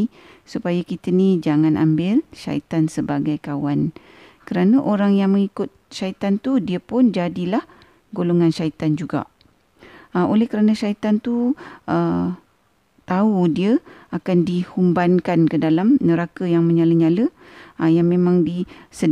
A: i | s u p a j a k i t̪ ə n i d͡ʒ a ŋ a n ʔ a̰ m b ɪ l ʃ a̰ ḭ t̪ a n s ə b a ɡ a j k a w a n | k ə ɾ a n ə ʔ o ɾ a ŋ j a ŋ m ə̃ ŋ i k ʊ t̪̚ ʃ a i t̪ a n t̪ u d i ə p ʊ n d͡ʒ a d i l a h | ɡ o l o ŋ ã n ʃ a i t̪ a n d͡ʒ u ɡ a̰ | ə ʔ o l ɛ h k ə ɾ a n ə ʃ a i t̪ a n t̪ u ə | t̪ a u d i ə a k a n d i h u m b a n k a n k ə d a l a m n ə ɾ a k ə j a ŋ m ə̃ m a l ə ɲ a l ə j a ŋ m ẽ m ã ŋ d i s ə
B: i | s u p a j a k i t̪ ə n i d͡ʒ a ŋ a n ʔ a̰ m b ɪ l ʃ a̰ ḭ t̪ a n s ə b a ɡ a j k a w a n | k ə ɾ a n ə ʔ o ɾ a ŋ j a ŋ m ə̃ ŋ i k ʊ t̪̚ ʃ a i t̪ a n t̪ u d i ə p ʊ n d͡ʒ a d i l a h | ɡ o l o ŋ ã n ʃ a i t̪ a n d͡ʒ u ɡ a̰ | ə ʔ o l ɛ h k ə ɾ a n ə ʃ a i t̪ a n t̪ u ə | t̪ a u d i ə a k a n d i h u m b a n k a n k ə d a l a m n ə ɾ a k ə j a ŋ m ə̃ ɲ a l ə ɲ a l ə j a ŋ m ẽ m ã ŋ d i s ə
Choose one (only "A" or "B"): B